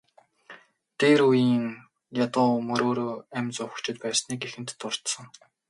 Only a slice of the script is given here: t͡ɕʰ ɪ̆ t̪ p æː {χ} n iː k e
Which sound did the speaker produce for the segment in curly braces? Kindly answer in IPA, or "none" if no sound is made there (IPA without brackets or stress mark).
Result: s